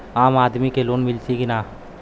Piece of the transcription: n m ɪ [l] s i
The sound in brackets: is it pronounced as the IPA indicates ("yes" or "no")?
yes